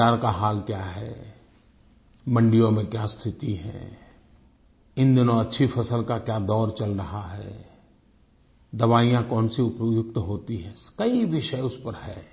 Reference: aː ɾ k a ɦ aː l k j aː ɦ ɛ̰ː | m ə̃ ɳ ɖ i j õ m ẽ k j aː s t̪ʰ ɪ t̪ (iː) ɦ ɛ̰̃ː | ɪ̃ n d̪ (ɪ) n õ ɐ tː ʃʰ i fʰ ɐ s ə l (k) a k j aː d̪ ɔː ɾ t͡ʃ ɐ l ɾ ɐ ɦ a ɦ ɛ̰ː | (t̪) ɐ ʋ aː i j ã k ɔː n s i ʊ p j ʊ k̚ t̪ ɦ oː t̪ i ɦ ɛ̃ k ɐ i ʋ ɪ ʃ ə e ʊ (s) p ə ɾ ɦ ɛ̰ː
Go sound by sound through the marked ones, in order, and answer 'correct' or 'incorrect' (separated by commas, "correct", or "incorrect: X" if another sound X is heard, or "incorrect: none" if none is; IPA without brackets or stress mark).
incorrect: i, correct, correct, incorrect: d̪, correct